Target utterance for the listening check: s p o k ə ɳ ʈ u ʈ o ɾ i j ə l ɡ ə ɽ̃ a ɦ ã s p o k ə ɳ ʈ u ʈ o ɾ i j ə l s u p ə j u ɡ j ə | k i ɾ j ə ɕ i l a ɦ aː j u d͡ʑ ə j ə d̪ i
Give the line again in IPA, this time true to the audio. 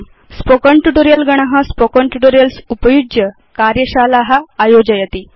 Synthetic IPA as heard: s p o k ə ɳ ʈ u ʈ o ɾ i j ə l ɡ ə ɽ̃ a ɦ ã s p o k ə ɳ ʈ u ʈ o ɾ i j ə l s u p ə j u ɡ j ə | k a ɾ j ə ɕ a l a ɦ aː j o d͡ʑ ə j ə t̪ i